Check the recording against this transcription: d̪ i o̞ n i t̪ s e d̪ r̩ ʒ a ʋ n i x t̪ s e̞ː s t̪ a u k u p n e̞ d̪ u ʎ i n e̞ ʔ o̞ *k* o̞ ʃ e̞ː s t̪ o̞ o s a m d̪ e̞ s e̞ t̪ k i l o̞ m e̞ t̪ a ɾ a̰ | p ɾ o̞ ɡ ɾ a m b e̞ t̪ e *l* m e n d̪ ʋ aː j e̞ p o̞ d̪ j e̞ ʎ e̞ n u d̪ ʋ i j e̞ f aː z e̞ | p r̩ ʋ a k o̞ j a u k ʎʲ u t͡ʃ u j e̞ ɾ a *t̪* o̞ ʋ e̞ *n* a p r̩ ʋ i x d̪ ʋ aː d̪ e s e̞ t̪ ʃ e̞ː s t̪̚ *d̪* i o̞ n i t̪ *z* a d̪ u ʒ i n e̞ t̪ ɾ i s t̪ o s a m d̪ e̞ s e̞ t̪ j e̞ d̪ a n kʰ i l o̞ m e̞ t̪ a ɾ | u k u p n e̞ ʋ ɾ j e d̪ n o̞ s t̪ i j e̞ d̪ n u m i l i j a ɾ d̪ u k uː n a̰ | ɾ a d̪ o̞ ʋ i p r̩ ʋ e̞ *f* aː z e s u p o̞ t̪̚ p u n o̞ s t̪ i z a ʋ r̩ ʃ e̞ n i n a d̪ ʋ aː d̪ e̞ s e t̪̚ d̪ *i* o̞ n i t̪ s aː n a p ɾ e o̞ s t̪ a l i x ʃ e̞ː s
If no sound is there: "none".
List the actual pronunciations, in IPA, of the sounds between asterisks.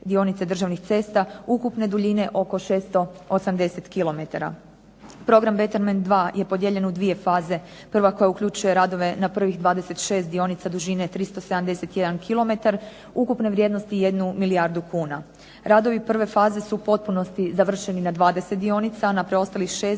k, ɾ, d̪, n, d̪, s, f, i

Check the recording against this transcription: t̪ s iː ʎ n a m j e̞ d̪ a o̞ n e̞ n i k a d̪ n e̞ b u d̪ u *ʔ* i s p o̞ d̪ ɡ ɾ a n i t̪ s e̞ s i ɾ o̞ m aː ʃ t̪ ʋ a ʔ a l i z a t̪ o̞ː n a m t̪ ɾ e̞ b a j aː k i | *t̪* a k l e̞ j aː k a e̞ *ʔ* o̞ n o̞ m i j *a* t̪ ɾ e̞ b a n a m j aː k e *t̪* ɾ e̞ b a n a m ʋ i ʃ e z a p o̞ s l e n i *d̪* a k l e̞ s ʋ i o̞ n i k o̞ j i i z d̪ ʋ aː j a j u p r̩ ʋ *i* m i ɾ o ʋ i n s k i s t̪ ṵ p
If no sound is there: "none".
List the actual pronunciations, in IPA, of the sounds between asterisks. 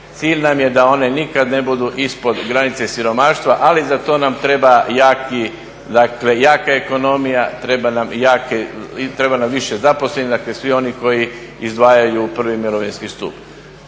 ʔ, d̪, k, a, t̪, d̪, i

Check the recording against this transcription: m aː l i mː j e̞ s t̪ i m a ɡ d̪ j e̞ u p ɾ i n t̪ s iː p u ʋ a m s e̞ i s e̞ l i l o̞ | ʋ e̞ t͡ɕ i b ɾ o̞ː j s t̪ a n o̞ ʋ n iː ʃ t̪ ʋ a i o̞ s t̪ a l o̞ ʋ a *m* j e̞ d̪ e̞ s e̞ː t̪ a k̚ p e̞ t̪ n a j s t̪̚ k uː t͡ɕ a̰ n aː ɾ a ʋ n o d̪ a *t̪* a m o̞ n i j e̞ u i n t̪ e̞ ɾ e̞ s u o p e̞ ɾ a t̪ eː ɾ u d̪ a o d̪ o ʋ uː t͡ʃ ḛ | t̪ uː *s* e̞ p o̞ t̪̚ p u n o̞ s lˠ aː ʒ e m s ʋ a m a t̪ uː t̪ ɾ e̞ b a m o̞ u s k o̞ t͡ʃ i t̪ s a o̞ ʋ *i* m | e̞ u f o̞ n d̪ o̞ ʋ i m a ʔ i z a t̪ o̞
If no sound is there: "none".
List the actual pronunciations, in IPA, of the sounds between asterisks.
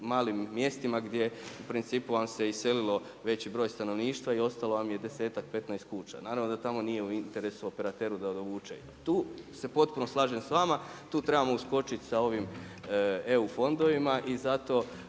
m, t̪, s, i

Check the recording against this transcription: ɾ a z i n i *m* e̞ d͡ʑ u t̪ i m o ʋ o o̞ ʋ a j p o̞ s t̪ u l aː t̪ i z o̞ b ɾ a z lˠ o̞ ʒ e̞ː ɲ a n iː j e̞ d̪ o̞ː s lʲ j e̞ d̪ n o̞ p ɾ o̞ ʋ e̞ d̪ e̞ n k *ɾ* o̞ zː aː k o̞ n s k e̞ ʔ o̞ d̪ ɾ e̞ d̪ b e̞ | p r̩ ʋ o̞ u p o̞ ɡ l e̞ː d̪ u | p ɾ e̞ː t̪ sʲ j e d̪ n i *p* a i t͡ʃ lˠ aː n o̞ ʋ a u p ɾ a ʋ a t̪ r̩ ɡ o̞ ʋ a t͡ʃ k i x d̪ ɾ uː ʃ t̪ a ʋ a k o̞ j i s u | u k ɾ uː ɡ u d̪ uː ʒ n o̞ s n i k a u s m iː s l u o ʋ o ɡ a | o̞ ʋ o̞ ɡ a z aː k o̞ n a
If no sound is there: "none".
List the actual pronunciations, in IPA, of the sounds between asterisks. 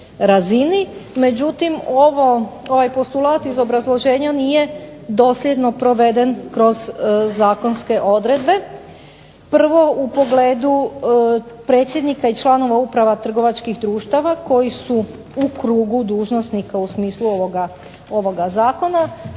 m, ɾ, k

